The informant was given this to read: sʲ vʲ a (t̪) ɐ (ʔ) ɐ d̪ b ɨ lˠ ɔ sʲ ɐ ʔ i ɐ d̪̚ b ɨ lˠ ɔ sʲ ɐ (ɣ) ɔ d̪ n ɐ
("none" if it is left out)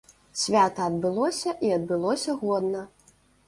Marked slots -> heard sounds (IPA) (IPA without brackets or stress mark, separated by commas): t̪, none, ɣ